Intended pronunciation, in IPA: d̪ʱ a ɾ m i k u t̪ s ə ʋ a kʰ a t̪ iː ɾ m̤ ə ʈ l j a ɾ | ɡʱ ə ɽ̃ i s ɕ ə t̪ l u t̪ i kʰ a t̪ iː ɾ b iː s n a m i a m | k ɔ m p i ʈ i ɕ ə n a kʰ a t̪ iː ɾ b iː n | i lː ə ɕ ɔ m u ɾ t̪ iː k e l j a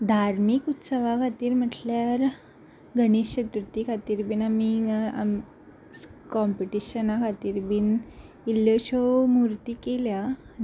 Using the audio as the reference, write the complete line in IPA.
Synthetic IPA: d̪ʱ a ɾ m i k u t̪ s ə ʋ a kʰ a t̪ iː ɾ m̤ ə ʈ l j a ɾ | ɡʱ ə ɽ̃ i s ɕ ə t̪ ɾ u t̪ i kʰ a t̪ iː ɾ b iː n a m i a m | k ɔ m p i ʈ i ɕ ə n a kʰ a t̪ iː ɾ b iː n | i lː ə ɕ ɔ m u ɾ t̪ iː k e l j a

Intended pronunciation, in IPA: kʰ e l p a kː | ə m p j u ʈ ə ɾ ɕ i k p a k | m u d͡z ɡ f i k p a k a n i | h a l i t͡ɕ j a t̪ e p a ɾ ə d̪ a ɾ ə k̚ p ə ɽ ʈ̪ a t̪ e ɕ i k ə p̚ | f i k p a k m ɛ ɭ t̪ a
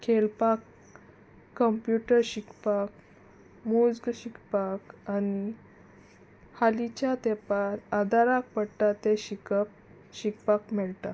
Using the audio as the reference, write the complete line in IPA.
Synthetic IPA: kʰ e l p a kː | ə m p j u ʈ ə ɾ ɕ i k p a k | m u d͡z ɡ ɕ i k p a k a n i | h a l i t͡ɕ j a t̪ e p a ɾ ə d̪ a ɾ a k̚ p ə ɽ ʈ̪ a t̪ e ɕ i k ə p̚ | ɕ i k p a k m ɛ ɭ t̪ a

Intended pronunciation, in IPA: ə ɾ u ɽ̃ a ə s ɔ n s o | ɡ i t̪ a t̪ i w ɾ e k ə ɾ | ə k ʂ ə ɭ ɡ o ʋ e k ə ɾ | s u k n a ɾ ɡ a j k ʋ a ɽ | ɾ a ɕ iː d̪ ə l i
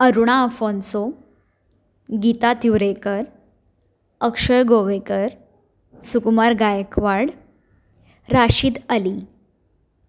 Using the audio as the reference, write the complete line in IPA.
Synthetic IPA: ə ɾ u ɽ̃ a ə f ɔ n s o | ɡ i t̪ a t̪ i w ɾ e k ə ɾ | ə k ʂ ə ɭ ɡ o ʋ e k ə ɾ | s u k m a ɾ ɡ a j k ʋ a ɽ | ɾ a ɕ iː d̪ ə l i

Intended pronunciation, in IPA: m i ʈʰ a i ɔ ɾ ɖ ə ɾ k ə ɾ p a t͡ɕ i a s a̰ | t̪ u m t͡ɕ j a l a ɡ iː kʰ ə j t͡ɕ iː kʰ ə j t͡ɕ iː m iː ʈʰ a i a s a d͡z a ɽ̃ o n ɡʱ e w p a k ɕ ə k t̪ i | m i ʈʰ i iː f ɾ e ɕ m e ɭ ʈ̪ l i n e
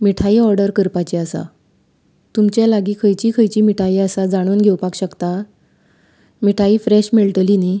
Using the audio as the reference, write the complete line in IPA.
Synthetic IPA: m i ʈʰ a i ɔ ɾ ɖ ə ɾ k ə ɾ p a t͡ɕ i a s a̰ | t̪ u m t͡ɕ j a l a ɡ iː kʰ ə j t͡ɕ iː kʰ ə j t͡ɕ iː m i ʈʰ a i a s a d͡z a ɽ̃ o n ɡʱ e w p a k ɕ ə k t̪ a | m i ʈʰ a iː f ɾ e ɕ m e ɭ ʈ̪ l i n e

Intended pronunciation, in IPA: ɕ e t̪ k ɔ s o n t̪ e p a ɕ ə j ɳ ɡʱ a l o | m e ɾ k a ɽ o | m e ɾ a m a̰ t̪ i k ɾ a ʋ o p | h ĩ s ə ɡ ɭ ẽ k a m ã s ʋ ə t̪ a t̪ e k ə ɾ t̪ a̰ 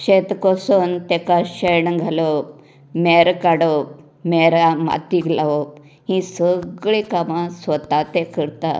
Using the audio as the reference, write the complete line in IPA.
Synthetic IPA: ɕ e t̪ k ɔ s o n t̪ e k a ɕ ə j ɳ ɡʱ a l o | m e ɾ k a ɽ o | m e ɾ a m a̰ t̪ i k l a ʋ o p | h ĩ s ə ɡ ɭ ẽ k a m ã s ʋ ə t̪ a t̪ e k ə ɾ t̪ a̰

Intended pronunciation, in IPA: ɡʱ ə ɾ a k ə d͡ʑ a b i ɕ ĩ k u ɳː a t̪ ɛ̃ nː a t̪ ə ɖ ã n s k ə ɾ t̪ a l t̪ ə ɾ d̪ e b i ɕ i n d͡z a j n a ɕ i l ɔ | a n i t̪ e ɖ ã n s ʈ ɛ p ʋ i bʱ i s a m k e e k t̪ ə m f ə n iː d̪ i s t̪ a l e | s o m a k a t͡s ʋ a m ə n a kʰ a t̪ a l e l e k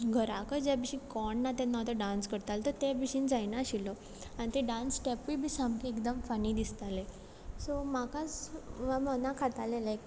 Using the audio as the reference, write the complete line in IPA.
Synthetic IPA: ɡʱ ə ɾ a k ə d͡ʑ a b i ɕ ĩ k ɔ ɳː a t̪ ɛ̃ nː a t̪ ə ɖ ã n s k ə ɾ t̪ a l t̪ ə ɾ t̪ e b i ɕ i n d͡z a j n a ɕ i l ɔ | a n i t̪ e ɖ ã n s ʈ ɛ p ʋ i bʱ i s a m k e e k d̪ ə m f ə n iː d̪ i s t̪ a l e | s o m a k a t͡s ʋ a m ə n a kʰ a t̪ a l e l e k

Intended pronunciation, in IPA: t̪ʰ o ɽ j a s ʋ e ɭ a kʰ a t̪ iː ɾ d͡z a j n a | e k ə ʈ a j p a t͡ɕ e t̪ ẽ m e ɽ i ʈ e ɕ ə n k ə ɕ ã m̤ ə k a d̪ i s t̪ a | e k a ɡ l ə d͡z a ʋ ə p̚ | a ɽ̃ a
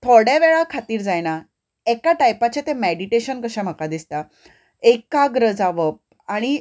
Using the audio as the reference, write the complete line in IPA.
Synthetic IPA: t̪ʰ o ɽ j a ʋ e ɭ a kʰ a t̪ iː ɾ d͡z a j n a | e k a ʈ a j p a t͡ɕ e t̪ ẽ m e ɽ i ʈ e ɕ ə n k ə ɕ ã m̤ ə k a d̪ i s t̪ a | e k a ɡ ɾ ə d͡z a ʋ ə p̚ | a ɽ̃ i

